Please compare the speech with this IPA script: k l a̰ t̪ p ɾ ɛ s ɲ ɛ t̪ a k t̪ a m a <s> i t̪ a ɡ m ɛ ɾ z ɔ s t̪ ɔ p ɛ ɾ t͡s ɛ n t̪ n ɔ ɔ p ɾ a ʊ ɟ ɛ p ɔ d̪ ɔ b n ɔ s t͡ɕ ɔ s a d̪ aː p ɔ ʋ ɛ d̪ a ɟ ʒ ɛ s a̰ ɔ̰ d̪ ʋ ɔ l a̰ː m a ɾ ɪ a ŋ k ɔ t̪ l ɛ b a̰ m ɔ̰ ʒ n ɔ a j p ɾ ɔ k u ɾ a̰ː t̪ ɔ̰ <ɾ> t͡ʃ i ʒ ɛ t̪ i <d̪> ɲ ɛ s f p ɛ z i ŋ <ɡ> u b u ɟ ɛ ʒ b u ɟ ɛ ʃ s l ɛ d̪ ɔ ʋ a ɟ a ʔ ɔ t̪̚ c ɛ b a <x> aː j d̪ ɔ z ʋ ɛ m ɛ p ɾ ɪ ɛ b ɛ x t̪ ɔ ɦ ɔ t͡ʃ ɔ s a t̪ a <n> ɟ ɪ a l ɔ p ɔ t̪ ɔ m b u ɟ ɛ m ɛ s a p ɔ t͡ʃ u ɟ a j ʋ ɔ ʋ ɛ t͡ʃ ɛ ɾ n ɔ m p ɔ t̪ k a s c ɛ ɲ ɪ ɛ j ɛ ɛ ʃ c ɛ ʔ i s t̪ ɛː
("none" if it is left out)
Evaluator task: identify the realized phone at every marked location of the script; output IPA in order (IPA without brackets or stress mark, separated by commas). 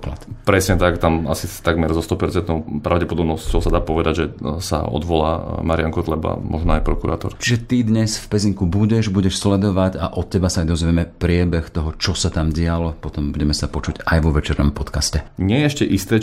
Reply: s, ɾ, d̪, k, s, m